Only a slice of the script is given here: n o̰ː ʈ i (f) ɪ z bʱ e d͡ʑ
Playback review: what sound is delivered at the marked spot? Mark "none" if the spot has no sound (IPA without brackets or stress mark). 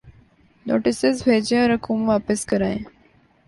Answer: s